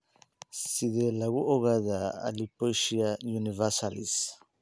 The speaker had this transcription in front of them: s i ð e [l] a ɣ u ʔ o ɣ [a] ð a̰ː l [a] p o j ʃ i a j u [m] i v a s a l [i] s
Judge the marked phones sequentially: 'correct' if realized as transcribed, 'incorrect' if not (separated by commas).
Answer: correct, correct, incorrect, incorrect, correct